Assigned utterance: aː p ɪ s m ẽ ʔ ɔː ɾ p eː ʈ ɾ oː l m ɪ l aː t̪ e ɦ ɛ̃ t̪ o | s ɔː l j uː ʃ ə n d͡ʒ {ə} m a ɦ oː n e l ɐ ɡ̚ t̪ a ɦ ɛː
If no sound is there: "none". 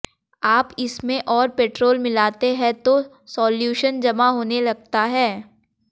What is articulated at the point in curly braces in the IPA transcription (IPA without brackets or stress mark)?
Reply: ɐ